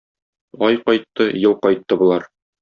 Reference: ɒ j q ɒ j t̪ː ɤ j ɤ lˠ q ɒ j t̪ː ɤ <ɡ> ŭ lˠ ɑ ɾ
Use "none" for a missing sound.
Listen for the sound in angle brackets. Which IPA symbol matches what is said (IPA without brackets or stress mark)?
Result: b